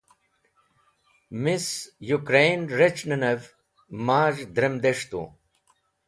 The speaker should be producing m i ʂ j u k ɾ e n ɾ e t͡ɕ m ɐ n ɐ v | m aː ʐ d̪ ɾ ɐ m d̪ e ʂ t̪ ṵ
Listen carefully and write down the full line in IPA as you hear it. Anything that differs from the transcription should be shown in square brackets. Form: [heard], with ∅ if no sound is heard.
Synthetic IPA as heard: m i [s] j u k ɾ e n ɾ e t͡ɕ [n] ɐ n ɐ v | m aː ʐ d̪ ɾ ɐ m d̪ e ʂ t̪ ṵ